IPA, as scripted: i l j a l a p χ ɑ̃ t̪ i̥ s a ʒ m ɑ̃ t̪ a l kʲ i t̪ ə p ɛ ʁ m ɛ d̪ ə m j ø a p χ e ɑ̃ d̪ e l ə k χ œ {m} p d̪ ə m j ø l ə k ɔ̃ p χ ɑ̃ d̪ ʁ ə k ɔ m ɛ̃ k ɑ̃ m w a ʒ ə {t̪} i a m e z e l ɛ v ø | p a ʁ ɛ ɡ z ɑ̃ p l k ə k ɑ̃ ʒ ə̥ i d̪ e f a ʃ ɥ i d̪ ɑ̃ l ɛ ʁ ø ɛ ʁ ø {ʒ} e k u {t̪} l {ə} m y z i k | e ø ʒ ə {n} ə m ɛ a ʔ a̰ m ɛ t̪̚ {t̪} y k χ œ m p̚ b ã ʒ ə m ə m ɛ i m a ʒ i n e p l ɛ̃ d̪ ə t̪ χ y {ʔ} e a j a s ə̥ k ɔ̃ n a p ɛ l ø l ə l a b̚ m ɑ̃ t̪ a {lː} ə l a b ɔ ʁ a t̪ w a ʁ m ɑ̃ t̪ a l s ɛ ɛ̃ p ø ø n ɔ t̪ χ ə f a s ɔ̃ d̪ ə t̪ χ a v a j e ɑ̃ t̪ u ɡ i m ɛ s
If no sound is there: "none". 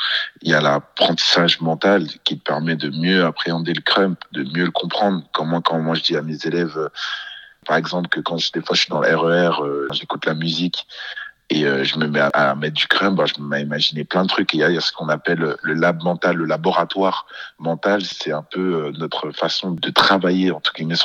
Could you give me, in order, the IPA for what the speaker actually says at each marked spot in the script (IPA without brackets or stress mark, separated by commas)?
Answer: m, d̪, ʒ, t̪, a, m, d̪, k, lː